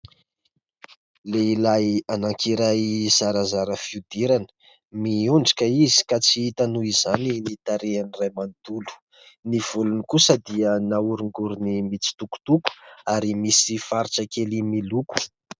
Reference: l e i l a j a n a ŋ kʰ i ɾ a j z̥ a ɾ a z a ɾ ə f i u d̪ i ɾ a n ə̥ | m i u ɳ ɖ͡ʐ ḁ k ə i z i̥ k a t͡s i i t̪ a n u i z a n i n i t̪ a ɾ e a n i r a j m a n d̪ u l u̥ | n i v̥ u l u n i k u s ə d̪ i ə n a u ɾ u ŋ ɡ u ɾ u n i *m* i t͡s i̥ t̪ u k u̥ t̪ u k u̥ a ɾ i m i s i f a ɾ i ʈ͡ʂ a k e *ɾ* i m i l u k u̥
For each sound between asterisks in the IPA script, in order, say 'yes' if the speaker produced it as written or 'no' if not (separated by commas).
yes, no